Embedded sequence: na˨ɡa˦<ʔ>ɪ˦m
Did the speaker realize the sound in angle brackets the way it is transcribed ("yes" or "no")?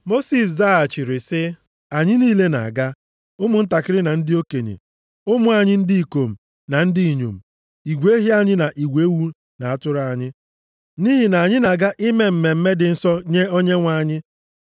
yes